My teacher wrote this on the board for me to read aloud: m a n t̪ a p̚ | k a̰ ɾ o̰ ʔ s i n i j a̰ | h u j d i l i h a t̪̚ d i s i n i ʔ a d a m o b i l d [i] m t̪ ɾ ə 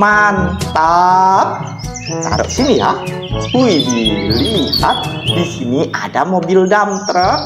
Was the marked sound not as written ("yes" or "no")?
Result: yes